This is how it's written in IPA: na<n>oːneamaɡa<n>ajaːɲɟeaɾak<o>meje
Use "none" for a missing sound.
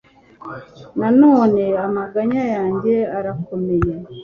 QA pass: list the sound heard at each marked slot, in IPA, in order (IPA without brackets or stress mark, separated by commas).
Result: n, ɲ, o